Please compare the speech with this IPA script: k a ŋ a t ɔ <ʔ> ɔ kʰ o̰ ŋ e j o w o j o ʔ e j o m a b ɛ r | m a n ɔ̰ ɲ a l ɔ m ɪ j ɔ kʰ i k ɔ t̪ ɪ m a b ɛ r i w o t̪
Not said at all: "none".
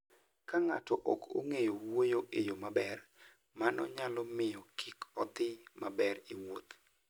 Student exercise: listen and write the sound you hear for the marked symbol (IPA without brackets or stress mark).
ʔ